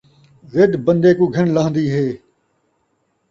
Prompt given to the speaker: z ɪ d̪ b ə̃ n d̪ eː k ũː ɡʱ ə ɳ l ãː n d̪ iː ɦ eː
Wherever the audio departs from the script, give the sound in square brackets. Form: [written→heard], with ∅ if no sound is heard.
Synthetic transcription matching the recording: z ɪ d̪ b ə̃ n d̪ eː k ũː ɡʱ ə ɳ l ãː n d̪ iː ɦ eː